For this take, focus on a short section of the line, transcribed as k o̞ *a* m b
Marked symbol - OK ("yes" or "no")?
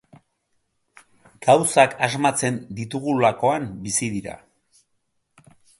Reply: yes